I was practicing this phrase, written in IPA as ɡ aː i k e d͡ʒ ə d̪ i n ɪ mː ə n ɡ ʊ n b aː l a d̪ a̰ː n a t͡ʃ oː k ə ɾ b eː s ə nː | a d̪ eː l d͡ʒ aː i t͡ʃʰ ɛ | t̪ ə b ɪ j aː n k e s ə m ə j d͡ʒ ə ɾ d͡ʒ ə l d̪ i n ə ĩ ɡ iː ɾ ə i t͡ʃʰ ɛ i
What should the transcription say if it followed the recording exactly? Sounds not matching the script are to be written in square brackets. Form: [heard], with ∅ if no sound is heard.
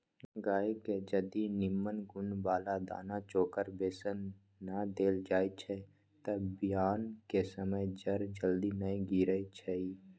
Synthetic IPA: ɡ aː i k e d͡ʒ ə d̪ i n ɪ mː ə n ɡ ʊ n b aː l a d̪ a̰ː n a t͡ʃ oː k ə ɾ b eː s ə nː | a d̪ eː l d͡ʒ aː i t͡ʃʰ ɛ | t̪ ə b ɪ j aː n k e s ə m ə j d͡ʒ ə ɾ d͡ʒ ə l d̪ i n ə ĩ ɡ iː ɾ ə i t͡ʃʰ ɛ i